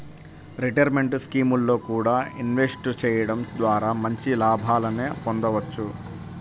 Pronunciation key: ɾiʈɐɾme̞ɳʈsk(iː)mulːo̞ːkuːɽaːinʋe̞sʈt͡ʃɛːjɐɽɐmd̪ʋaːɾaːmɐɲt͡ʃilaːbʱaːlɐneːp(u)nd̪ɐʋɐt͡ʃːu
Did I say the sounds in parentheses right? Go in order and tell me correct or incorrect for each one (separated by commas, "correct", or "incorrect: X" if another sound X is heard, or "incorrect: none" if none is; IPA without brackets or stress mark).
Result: correct, incorrect: o